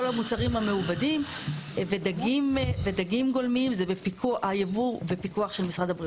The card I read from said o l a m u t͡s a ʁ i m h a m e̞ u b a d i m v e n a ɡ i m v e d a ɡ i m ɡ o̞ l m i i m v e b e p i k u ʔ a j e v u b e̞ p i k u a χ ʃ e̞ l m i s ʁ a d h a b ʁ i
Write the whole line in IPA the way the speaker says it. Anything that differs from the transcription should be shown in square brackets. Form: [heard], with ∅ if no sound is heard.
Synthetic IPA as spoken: o l a m u t͡s a ʁ i m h a m e̞ u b a d i m v e [d] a ɡ i m v e d a ɡ i m ɡ o̞ l m i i m [z] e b e p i k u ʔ a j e v u b e̞ p i k u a χ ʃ e̞ l m i s ʁ a d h a b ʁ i

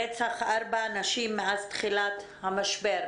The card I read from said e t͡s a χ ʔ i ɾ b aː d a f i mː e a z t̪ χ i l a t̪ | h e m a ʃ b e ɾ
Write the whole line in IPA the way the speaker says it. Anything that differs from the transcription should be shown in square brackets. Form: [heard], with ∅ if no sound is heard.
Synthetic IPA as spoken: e t͡s a χ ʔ [a] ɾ b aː [n] a [ʃ] i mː e a z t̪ χ i l a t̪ | h [a] m a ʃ b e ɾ

